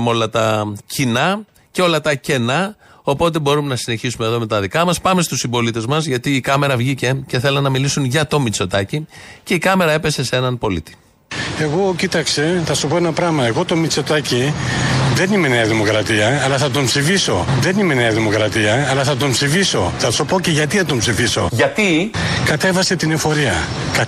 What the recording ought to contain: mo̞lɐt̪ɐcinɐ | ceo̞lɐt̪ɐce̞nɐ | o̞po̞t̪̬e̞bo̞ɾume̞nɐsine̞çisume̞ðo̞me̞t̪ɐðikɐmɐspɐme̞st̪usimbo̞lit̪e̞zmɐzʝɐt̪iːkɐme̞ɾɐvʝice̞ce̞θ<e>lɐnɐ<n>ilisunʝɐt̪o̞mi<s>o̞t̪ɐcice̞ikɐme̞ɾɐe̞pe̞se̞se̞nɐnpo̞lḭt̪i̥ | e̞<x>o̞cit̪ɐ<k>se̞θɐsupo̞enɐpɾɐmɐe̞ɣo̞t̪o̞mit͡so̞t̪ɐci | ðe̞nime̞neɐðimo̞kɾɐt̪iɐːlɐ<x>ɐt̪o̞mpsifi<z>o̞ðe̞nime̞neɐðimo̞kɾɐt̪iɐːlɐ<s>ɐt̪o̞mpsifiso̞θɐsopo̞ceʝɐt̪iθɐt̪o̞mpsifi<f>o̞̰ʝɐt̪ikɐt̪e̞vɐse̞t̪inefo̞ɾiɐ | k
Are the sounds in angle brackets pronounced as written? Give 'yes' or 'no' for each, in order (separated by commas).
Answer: yes, no, no, no, yes, no, no, no, no